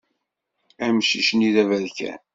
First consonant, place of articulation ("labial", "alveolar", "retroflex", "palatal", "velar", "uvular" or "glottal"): labial